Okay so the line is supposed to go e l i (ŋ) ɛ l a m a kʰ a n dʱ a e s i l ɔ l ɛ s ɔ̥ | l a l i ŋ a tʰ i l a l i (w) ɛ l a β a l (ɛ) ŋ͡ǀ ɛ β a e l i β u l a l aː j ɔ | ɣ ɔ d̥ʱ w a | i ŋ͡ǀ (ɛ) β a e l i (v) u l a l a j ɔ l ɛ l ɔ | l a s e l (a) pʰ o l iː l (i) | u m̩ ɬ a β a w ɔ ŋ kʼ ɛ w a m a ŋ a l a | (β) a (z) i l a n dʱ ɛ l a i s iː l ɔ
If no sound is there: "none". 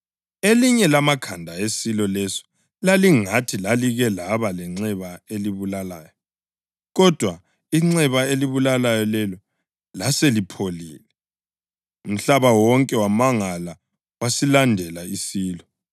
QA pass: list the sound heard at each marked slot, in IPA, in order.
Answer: ɲ, ɣ, ɛ, ɛ, β, i, ɛ, w, s

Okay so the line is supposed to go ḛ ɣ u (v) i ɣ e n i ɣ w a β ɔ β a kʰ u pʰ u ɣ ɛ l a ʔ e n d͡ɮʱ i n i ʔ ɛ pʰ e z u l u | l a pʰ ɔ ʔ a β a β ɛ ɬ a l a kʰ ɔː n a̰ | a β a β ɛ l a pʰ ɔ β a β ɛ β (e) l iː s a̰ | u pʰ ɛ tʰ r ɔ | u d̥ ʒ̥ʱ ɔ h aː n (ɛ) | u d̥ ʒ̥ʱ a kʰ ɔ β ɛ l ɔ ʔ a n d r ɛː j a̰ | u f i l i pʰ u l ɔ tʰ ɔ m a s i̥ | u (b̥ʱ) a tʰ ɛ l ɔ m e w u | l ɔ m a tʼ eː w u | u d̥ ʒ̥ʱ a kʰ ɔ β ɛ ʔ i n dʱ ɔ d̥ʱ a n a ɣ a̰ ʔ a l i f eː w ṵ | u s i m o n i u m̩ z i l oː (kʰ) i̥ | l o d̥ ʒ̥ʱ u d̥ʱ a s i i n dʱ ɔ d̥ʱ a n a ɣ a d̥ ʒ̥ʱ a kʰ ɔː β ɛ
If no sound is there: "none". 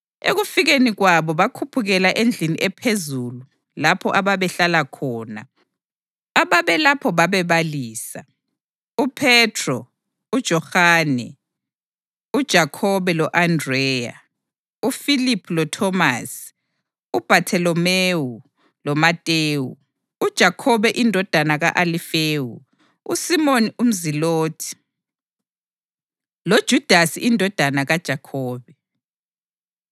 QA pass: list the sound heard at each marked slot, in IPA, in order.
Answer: f, a, ɛ, b̥ʱ, tʰ

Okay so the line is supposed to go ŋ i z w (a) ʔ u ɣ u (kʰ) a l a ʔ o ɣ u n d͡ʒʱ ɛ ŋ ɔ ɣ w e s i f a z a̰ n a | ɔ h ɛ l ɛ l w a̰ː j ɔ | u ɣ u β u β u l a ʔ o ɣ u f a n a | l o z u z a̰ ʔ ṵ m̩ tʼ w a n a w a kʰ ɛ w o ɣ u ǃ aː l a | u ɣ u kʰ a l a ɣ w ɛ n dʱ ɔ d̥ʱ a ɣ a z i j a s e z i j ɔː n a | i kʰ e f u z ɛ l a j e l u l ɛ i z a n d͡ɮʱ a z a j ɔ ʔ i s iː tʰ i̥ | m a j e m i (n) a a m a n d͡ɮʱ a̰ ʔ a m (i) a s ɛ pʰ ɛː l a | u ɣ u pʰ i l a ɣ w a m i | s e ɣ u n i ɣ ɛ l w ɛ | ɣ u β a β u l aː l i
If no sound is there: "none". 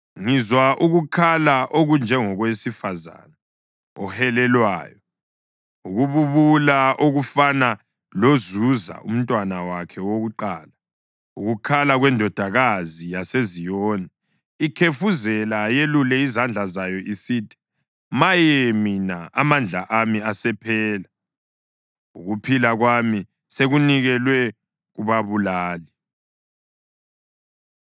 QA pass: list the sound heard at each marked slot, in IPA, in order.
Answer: a, kʰ, n, i

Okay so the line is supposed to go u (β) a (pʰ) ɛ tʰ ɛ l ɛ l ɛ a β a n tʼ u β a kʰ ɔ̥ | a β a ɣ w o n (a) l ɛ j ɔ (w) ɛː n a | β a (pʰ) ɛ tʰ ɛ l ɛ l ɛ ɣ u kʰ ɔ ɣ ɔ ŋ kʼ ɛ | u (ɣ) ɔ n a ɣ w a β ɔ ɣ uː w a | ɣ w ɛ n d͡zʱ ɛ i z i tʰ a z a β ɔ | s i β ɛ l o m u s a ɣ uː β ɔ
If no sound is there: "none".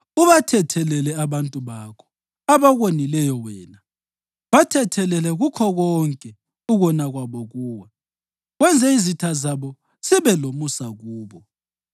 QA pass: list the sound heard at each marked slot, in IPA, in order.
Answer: β, tʰ, i, w, tʰ, ɣ

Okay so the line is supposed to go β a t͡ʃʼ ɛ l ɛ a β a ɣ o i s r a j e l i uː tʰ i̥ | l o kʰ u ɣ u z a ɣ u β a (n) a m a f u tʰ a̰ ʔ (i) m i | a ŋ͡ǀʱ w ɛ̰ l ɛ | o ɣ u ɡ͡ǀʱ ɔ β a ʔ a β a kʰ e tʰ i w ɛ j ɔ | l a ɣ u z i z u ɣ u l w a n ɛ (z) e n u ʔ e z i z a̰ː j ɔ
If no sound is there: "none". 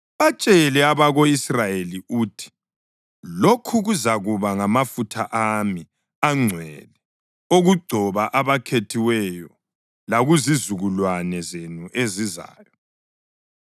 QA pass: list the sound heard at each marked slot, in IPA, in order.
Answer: ŋ, a, z

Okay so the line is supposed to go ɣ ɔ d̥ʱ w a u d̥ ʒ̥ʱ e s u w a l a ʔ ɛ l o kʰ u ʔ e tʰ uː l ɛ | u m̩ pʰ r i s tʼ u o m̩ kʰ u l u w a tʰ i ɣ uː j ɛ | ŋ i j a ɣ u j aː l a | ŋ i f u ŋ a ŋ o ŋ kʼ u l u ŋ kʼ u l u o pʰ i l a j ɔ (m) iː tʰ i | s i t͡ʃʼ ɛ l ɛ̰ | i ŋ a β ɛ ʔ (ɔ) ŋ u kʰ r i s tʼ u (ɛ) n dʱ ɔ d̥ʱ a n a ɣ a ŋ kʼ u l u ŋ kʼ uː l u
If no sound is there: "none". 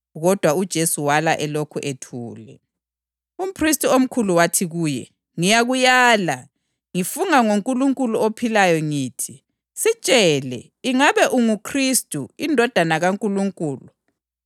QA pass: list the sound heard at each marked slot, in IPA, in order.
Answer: ŋ, u, i

